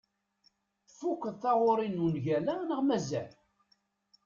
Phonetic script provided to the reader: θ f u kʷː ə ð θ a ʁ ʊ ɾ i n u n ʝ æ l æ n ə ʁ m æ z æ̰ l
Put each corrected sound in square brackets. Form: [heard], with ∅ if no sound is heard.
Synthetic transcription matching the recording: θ f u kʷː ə ð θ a ʁ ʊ ɾ i n u n ʝ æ l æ n ə ʁ m æ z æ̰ l